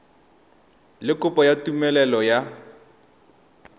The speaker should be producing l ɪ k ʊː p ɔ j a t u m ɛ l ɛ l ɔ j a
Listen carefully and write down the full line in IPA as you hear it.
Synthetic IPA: l ɪ k ʊ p ɔ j a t u m ɛ l ɛ l ɔ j a